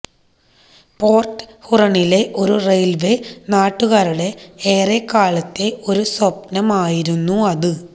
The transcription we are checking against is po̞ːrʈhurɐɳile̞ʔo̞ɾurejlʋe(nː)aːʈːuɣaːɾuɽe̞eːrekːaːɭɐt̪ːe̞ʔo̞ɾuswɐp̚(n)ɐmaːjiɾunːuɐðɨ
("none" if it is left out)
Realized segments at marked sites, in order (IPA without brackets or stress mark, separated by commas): n, n